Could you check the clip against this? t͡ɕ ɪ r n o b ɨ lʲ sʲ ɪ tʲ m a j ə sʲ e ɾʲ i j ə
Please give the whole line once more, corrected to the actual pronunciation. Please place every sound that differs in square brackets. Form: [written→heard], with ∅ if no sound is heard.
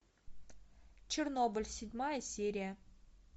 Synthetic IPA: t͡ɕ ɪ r n o b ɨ lʲ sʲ ɪ [tʲ→dʲ] m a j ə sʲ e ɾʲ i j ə